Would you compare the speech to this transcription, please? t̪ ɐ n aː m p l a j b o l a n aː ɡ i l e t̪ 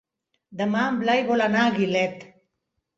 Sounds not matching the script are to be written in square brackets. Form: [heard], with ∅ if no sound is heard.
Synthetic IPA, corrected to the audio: [d̪] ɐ [m] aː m [b] l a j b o l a n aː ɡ i l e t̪